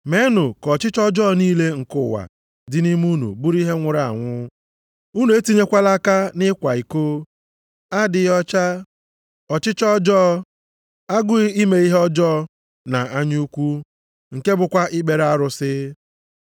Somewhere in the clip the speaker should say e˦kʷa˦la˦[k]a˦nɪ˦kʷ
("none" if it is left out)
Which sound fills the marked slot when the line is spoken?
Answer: k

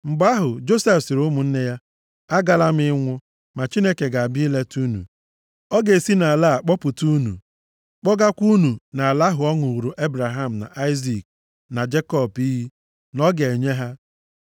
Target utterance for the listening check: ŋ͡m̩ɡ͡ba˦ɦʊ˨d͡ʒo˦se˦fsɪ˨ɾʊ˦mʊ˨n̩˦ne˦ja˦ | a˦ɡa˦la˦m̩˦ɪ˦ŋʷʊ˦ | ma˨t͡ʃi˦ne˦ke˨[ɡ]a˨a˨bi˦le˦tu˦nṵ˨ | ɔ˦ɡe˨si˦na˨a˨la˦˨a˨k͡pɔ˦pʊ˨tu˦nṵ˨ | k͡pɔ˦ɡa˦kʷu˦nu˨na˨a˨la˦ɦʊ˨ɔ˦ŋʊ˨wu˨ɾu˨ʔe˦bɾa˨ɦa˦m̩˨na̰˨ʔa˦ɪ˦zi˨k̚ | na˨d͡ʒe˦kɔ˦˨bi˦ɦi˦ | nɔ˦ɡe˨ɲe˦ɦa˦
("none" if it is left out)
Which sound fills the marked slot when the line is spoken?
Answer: ɡ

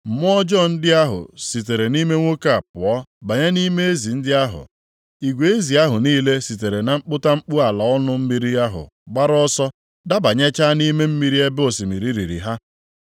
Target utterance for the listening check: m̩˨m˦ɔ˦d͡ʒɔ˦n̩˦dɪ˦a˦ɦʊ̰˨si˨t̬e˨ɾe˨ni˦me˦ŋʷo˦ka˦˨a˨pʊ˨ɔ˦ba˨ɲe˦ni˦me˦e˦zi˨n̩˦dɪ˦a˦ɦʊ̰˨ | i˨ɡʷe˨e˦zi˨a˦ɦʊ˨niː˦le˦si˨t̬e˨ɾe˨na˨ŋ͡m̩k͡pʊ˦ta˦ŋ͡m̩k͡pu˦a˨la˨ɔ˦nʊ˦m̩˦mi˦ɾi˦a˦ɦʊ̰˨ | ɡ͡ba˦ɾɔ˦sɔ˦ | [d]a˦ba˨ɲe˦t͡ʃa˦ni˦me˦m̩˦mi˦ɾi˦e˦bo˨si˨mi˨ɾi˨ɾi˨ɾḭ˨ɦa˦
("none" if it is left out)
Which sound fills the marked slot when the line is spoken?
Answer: d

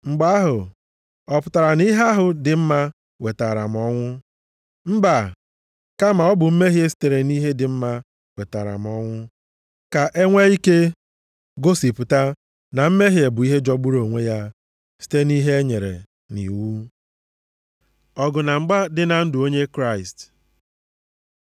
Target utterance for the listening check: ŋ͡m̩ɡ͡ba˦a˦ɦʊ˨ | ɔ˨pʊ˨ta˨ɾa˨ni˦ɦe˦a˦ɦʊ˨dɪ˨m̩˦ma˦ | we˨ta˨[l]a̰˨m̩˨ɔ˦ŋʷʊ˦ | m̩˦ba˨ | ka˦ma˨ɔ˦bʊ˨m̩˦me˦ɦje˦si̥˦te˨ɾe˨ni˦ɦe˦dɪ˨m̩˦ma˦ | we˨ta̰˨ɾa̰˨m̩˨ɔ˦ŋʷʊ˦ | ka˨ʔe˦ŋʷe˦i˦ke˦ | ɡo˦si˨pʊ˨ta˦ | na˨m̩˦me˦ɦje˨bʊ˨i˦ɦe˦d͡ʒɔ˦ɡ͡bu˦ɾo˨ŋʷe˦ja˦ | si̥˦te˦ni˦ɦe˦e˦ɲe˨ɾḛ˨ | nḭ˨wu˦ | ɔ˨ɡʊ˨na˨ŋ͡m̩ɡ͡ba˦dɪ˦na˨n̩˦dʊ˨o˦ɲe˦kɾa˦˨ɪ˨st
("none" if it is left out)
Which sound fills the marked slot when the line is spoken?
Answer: ɾ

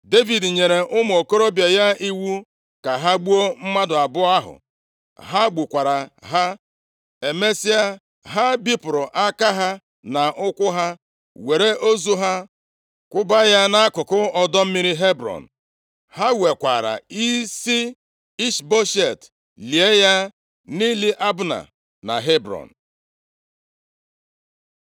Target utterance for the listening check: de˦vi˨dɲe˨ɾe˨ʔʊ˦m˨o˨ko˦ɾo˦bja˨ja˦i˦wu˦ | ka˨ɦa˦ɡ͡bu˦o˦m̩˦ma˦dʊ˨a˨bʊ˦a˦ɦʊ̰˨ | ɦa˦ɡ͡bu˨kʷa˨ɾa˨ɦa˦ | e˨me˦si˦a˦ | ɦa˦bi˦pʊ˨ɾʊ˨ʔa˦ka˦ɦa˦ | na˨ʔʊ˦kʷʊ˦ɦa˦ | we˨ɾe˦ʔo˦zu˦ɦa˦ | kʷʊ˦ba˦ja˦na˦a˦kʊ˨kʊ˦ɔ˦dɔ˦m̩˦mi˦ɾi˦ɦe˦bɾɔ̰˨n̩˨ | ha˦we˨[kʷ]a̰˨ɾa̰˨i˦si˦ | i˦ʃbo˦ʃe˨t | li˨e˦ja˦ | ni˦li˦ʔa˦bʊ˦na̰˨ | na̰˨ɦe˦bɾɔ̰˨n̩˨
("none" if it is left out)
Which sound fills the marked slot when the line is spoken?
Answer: kʷ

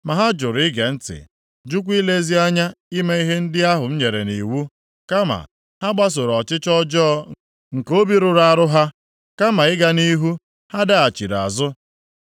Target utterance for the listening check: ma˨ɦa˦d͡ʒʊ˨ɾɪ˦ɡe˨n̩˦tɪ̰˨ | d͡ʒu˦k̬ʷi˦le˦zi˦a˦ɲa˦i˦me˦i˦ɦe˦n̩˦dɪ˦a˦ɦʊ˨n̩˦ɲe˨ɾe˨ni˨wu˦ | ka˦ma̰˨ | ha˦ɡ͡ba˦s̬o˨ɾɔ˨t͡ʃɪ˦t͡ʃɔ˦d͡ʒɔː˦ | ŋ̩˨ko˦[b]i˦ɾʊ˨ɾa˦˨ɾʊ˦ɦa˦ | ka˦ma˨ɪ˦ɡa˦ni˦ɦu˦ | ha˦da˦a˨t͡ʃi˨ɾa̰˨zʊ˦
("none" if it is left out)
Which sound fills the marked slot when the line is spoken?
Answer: b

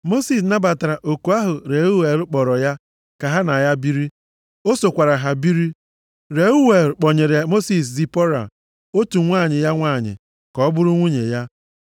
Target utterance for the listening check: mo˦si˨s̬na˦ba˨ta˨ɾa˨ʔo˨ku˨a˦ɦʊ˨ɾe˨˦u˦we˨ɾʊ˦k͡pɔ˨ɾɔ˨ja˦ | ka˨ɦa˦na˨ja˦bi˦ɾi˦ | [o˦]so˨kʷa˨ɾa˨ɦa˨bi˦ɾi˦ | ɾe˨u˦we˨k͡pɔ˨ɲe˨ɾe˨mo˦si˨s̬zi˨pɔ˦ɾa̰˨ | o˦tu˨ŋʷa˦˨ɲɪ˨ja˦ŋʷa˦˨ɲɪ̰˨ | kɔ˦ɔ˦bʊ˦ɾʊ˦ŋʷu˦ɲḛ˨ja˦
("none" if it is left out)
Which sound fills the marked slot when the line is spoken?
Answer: o˦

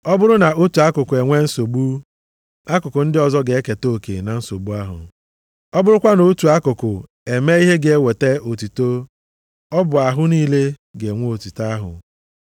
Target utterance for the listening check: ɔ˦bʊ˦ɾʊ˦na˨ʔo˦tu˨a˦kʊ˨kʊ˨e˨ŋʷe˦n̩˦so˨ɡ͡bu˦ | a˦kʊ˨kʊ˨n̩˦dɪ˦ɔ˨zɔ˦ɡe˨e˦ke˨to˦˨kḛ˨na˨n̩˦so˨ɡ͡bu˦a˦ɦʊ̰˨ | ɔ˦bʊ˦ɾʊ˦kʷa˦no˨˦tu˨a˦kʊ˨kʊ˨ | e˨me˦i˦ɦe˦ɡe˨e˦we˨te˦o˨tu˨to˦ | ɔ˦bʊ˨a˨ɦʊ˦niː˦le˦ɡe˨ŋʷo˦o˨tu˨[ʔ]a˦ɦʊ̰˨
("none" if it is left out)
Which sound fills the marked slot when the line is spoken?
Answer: t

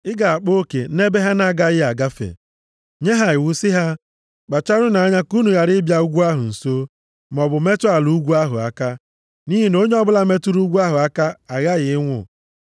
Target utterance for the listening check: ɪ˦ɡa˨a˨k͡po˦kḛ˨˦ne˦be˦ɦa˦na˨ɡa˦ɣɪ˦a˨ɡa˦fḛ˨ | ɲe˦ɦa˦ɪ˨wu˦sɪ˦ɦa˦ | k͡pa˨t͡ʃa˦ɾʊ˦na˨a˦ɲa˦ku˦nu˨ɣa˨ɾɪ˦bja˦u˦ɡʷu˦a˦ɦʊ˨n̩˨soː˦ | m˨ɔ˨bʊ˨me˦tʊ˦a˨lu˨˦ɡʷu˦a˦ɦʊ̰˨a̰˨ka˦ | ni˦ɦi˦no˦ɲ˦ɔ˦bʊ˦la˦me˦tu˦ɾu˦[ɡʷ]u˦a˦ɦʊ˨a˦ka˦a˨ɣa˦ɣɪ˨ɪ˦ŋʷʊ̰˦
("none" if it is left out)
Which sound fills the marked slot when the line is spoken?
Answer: ɡʷ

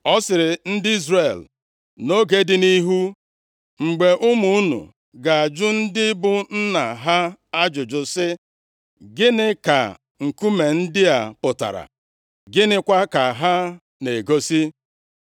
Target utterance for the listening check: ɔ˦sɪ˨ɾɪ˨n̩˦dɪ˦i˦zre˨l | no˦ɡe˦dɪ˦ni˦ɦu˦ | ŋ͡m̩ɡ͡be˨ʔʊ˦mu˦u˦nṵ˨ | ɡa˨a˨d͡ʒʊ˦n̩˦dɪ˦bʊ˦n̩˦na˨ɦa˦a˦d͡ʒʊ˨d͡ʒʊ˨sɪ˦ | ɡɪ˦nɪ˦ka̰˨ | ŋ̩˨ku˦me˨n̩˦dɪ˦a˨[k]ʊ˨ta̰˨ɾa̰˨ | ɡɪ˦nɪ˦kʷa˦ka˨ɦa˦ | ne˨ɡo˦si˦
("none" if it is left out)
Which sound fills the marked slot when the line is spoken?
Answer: p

